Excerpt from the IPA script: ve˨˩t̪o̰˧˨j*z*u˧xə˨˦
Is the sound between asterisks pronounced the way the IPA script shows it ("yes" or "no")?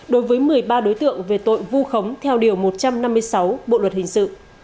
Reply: no